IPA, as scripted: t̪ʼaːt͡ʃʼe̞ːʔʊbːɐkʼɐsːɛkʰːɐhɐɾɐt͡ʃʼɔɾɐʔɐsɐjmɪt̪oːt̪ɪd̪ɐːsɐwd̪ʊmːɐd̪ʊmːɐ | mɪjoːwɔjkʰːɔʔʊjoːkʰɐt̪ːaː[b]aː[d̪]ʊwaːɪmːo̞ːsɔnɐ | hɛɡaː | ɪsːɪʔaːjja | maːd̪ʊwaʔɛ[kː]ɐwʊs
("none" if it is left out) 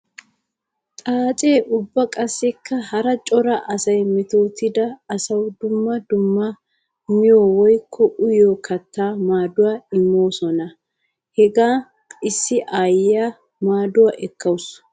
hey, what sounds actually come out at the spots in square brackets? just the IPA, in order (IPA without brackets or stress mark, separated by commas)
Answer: m, d̪, kː